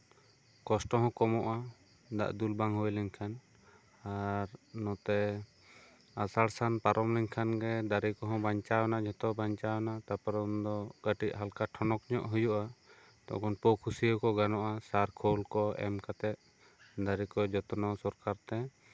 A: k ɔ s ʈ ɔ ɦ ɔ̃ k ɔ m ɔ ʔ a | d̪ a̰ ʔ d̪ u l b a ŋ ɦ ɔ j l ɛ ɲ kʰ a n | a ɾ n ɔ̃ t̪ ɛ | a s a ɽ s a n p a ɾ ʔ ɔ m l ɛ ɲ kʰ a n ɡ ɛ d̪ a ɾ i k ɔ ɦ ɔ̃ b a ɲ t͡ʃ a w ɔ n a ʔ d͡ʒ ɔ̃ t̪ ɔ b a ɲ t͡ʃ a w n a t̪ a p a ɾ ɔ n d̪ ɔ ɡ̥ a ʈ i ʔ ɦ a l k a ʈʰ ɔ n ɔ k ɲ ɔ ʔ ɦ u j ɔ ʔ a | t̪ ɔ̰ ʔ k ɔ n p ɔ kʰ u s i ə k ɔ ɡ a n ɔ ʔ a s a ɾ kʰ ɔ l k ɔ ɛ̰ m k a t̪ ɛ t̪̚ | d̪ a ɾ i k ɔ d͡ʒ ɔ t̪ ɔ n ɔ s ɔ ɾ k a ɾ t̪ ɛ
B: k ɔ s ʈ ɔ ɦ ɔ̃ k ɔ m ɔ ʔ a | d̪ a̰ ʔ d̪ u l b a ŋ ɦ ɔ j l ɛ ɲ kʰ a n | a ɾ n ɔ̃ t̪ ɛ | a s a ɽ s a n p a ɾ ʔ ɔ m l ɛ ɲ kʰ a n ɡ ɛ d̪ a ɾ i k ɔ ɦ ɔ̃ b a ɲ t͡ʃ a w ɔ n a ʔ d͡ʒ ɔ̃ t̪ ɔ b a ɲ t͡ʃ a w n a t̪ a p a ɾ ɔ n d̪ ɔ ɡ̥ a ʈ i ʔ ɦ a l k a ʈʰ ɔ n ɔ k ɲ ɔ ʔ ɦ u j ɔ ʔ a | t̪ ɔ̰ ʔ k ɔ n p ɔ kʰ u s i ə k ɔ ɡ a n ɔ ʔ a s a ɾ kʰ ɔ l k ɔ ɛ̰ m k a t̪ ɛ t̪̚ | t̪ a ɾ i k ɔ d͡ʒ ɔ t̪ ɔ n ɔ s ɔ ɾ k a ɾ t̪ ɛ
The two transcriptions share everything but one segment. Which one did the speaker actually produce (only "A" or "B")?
A